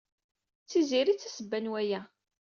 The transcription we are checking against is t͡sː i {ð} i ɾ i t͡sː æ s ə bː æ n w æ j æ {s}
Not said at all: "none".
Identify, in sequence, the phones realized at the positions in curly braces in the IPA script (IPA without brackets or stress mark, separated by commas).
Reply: z, none